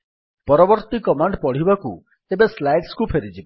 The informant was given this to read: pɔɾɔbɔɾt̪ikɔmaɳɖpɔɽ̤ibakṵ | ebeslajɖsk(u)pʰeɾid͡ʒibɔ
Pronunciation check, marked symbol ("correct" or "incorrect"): correct